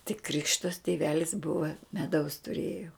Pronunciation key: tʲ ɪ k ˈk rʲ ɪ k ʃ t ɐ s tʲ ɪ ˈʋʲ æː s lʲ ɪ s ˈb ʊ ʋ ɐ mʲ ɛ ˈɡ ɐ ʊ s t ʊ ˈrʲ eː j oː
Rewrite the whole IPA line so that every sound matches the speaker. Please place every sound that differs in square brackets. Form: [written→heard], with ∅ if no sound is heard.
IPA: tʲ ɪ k ˈk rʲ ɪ k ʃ t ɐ s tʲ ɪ ˈʋʲ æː [s→∅] lʲ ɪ s ˈb ʊ ʋ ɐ mʲ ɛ [ˈɡ→ˈd] ɐ ʊ s t ʊ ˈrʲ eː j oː